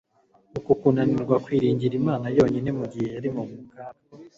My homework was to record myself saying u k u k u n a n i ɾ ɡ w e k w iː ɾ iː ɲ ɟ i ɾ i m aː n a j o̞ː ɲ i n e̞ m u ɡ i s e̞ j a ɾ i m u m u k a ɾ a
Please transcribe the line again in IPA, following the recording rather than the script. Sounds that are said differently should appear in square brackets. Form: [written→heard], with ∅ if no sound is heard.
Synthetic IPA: u k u k u n a n i ɾ ɡ w [e→a] k w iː ɾ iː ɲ ɟ i ɾ i m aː n a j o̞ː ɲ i n e̞ m u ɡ i [s→h] e̞ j a ɾ i m u m u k a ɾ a

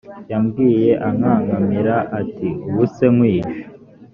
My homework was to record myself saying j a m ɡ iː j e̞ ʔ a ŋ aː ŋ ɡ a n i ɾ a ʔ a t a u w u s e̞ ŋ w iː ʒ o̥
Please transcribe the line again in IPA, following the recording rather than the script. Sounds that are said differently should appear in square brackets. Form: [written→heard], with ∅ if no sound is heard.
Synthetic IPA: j a m ɡ iː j e̞ ʔ a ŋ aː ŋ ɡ a [n→m] i ɾ a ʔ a t [a→i] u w u s e̞ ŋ w iː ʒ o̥

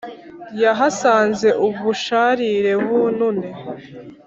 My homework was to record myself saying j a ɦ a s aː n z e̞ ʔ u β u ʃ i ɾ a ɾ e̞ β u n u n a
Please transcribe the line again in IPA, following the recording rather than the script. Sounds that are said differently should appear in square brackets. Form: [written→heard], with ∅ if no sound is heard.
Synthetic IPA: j a ɦ a s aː n z e̞ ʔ u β u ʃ [i→a] ɾ [a→i] ɾ e̞ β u n u n [a→e]

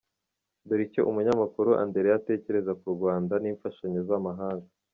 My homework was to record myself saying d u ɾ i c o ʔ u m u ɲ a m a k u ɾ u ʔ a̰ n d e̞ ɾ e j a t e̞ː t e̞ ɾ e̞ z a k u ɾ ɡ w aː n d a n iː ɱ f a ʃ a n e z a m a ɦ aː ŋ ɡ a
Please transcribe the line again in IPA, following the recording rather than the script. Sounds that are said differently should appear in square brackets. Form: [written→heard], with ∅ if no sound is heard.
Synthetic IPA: d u ɾ i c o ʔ u m u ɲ a m a k u ɾ u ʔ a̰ n d e̞ ɾ e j a t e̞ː [t→c] e̞ ɾ e̞ z a k u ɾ ɡ w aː n d a n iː ɱ f a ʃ a [n→ɲ] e z a m a ɦ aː ŋ ɡ a

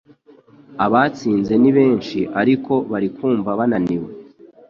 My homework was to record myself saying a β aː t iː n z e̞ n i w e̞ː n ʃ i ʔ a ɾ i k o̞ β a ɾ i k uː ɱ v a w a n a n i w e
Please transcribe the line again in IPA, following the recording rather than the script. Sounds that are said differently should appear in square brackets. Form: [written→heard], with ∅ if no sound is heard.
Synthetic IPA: a β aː [t→t͡s] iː n z e̞ n i [w→β] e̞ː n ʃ i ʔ a ɾ i k o̞ β a ɾ i k uː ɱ v a [w→β] a n a n i w e

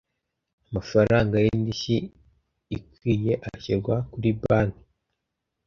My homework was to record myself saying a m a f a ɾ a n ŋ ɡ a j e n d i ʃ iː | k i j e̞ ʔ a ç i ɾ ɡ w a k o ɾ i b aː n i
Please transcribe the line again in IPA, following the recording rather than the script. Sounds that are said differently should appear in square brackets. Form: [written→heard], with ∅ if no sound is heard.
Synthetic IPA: a m a f a ɾ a [n→∅] ŋ ɡ a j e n d i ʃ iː | k i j e̞ ʔ a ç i ɾ ɡ w a k [o→u] ɾ i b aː n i

